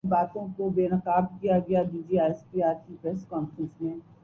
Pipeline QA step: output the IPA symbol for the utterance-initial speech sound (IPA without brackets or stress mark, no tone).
b